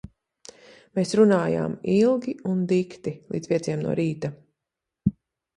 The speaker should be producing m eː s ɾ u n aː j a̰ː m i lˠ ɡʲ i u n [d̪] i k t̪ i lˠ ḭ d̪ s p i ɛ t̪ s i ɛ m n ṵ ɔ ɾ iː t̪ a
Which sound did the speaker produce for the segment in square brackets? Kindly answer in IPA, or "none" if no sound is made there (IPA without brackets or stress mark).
d̪